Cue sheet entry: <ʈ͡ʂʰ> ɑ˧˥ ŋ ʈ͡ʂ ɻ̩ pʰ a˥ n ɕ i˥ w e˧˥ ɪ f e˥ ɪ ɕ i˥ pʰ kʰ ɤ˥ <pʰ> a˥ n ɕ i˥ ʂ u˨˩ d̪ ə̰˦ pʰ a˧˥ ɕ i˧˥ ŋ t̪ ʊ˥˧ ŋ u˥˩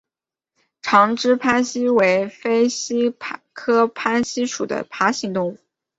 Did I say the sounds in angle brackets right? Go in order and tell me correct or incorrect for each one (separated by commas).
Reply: correct, correct